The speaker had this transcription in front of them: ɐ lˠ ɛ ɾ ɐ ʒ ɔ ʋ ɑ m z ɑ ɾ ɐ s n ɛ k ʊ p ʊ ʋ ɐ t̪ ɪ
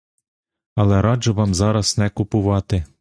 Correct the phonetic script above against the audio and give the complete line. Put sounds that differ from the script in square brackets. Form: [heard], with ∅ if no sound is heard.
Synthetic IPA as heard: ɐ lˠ ɛ ɾ [ɑ] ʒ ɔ ʋ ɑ m z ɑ ɾ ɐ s n ɛ k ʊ p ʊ ʋ [ɑ] t̪ ɪ